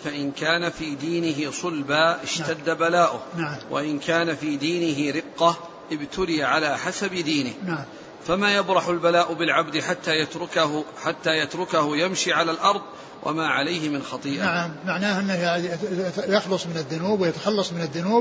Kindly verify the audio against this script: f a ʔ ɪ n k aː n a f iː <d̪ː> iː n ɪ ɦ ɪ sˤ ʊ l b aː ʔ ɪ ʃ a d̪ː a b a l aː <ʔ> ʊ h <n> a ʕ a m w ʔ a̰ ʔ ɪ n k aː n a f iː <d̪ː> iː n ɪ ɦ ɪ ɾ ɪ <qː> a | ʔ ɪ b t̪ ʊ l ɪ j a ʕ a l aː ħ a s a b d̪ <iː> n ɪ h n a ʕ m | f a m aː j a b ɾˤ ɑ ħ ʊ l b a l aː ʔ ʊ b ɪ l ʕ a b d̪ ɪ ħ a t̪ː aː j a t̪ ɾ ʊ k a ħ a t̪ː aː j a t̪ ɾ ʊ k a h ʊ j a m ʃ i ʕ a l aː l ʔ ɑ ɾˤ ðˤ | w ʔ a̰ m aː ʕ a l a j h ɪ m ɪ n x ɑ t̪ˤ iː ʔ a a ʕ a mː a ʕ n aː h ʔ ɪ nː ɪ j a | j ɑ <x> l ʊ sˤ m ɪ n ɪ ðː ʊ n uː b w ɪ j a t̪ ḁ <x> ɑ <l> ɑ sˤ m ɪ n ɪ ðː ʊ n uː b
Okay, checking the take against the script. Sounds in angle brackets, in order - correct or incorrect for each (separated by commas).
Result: incorrect, correct, correct, incorrect, correct, correct, correct, correct, incorrect